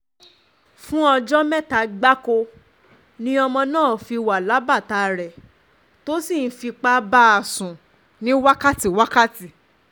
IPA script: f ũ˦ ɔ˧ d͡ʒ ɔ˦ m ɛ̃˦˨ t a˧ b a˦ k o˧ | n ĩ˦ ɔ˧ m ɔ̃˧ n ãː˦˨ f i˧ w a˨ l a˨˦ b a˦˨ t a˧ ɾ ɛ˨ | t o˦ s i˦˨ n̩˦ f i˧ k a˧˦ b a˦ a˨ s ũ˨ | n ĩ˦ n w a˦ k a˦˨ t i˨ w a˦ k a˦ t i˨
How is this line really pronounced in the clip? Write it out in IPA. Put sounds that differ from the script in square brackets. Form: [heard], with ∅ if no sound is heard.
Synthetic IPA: f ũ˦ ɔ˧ d͡ʒ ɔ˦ m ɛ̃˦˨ t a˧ [ɡ͡b] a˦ k o˧ | n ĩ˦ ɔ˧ m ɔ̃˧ n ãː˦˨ f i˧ w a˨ l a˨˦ b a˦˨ t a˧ ɾ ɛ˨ | t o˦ s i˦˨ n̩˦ f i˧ [k͡p] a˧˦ b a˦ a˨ s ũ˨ | n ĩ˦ [∅] w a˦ k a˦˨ t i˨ w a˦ k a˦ t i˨